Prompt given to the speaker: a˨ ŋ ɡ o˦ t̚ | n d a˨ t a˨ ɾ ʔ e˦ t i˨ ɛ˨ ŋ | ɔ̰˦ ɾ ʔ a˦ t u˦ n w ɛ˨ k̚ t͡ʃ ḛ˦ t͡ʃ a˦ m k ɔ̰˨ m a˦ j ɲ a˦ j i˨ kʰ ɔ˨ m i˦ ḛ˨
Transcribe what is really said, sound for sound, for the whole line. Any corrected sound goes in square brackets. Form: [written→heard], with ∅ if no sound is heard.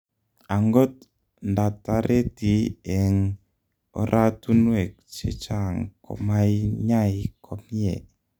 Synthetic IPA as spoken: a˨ ŋ ɡ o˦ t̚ | n d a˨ t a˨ ɾ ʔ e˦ t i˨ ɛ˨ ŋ | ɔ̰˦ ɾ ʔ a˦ t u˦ n w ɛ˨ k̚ t͡ʃ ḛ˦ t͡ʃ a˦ [m→ŋ] k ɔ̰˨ m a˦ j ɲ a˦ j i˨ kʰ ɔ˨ m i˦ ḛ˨